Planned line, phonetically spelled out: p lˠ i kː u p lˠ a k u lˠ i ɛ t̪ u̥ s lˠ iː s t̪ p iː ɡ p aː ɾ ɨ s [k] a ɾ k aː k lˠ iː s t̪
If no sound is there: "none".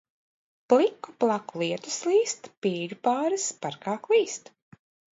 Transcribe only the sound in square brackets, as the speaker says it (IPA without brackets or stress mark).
p